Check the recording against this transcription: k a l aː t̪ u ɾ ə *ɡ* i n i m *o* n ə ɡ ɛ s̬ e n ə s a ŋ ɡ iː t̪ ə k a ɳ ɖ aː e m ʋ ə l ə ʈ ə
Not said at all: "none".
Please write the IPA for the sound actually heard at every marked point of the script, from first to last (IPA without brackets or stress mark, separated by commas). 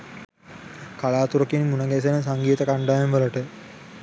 k, u